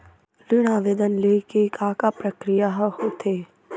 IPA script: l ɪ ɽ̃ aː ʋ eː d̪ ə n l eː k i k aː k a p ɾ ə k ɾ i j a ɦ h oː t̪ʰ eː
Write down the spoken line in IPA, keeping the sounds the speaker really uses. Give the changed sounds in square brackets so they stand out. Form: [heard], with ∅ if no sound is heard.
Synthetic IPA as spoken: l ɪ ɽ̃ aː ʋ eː d̪ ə n l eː k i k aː k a p ɾ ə k ɾ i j a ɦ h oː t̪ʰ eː